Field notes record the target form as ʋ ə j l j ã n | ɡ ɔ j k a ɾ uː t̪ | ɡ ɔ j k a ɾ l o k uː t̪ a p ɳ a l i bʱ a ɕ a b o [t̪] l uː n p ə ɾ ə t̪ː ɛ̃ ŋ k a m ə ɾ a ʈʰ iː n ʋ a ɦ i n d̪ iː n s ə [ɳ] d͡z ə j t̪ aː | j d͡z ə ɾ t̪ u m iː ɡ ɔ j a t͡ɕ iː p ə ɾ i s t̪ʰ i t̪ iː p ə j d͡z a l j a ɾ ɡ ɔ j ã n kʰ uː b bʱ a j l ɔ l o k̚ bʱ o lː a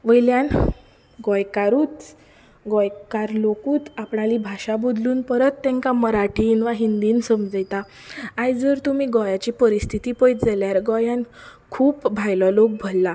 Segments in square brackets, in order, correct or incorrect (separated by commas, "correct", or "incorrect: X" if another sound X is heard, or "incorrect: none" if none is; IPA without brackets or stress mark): incorrect: d̪, incorrect: m